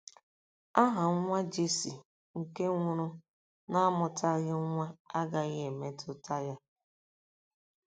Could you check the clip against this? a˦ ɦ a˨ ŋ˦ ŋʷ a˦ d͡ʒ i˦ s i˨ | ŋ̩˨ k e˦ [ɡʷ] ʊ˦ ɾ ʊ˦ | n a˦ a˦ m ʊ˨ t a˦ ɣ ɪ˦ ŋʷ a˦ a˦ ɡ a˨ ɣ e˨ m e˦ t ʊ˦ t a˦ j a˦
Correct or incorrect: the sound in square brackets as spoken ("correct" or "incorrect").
incorrect